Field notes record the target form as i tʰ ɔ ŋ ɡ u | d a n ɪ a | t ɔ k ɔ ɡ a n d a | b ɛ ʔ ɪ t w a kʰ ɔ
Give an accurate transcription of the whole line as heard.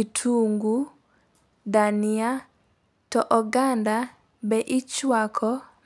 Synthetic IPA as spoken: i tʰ u ŋ ɡ u | d a n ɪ a | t ɔ ʔ ɔ ɡ a n d a | b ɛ ʔ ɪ t͡ʃ w a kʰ ɔ

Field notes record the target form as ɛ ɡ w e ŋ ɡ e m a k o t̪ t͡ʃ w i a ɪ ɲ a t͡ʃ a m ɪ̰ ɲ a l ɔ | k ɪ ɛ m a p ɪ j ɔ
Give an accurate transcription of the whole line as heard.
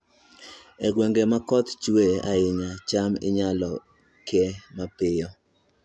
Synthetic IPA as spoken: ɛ ɡ w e ŋ ɡ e m a k ɔ t̪ t͡ʃ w e a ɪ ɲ a t͡ʃ a m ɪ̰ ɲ a l ɔ | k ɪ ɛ m a p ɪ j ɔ

